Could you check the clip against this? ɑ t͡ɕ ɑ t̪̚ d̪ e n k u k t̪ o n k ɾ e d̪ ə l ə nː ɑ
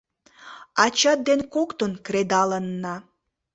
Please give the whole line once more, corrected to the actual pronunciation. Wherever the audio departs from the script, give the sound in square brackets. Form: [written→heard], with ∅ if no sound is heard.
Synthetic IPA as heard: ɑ t͡ɕ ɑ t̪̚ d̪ e n k [u→o] k t̪ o n k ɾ e d̪ [ə→ɑ] l ə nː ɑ